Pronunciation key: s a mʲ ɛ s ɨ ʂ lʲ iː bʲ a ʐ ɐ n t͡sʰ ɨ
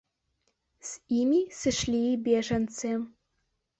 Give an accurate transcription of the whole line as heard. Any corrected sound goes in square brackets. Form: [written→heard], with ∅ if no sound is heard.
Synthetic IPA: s [a→i] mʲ [ɛ→i] s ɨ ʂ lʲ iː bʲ [a→e] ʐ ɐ n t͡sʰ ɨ